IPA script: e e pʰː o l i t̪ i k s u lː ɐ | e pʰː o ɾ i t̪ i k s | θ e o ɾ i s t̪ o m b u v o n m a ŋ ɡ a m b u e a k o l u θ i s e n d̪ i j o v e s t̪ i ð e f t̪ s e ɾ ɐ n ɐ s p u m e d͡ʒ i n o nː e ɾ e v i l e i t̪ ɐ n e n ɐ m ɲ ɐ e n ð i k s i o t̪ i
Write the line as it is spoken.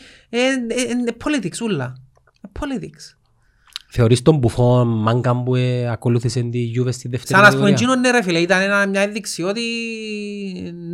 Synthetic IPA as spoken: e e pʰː o l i t̪ i k s u lː ɐ | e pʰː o l i t̪ i k s | θ e o ɾ i s t̪ o m b u f o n m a ŋ ɡ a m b u e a k o l u θ i s e n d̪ i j u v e s t̪ i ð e f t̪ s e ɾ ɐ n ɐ s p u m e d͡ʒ i n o nː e ɾ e f i l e i t̪ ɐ n e n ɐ m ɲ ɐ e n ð i k s i o t̪ i